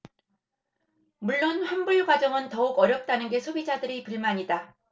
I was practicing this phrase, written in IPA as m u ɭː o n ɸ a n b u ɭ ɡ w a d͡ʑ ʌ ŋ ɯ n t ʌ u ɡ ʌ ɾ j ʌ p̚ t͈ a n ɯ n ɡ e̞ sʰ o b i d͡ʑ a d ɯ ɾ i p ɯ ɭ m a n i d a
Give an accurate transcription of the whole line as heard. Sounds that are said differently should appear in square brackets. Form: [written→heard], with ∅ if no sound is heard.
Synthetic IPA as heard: m u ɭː o n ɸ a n b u ɭ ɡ w a d͡ʑ ʌ ŋ ɯ n t ʌ u ɡ ʌ ɾ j ʌ p̚ t͈ a n ɯ n ɡ e̞ sʰ o b i d͡ʑ a d ɯ ɾ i p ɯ ɭ m a [n→ɲ] i d a